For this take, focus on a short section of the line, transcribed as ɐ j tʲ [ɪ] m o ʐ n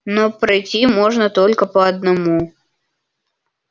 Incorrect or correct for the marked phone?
incorrect: i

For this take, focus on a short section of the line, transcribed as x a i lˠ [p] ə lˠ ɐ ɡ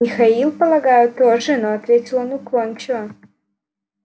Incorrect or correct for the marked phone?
correct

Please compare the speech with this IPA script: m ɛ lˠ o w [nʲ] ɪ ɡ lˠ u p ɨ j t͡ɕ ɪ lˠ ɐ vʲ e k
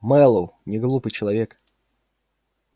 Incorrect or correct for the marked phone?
correct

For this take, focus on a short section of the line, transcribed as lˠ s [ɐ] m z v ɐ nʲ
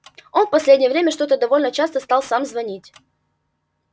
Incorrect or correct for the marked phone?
incorrect: a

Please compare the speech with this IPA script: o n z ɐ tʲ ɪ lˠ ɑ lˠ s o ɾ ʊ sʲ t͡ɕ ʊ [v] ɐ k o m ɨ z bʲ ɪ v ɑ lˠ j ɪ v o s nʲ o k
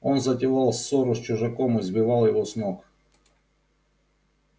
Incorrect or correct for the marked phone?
incorrect: ʐ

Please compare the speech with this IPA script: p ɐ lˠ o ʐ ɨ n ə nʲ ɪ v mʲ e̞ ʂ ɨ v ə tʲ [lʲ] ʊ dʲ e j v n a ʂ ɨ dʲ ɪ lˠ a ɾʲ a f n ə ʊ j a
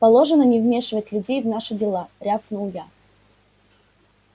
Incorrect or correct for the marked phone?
correct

